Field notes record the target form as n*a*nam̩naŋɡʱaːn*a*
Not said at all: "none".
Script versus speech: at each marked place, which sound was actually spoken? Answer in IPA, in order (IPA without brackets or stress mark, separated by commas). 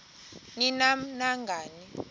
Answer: i, i